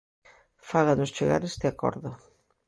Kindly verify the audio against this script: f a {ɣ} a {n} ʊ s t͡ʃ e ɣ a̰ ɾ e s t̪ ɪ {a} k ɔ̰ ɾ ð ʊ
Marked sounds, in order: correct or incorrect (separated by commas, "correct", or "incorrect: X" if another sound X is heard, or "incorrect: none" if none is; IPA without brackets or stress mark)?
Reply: correct, correct, correct